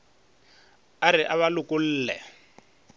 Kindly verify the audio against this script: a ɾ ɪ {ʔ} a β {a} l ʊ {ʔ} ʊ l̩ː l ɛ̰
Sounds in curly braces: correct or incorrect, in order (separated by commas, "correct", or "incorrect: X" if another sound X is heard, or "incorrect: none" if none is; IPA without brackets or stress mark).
correct, correct, incorrect: k